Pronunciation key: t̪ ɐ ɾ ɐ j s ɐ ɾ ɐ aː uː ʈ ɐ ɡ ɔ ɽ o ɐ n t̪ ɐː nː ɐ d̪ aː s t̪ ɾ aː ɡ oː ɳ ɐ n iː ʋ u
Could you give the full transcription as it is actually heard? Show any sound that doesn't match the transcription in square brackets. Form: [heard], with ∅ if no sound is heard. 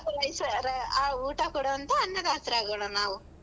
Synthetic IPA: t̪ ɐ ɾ ɐ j s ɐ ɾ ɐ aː uː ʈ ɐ [k] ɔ ɽ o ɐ n t̪ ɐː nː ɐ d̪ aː s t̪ ɾ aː ɡ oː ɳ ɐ n [aː] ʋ u